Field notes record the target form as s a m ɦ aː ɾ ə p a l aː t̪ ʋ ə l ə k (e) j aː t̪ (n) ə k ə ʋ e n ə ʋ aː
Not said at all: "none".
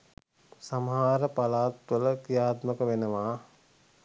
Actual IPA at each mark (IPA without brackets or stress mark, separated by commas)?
i, m